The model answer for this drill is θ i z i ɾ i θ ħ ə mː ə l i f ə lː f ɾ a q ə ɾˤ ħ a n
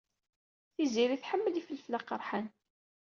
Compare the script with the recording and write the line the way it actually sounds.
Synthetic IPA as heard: θ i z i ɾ i θ ħ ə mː ə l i f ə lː f l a q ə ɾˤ ħ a n